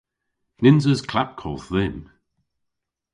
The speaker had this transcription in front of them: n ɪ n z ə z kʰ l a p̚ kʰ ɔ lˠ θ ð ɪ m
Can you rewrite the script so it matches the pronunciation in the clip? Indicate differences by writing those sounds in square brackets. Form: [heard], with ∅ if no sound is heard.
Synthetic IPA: n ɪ n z ə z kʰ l a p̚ kʰ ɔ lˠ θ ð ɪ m